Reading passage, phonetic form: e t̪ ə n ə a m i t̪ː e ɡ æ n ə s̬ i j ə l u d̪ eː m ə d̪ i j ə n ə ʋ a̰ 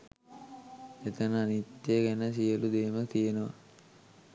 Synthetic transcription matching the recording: e t̪ ə n ə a n i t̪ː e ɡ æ n ə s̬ i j ə l u d̪ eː m ə t̪ i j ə n ə ʋ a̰